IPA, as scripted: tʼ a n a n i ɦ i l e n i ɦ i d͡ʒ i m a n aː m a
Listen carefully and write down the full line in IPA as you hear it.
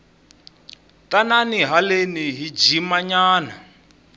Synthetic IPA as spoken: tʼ a n a n i ɦ a l e n i ɦ i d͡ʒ i m a ɲ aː n a